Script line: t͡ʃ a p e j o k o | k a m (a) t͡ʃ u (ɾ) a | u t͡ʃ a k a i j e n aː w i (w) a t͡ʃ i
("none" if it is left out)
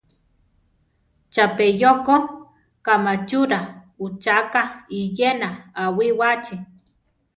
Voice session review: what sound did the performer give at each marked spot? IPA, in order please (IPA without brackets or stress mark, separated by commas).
a, ɾ, w